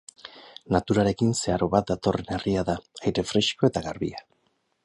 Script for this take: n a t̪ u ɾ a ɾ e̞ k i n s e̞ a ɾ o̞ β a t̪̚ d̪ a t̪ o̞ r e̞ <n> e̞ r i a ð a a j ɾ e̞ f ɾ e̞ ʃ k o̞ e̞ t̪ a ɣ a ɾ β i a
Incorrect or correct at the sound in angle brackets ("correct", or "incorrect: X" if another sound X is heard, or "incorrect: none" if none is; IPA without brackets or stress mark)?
correct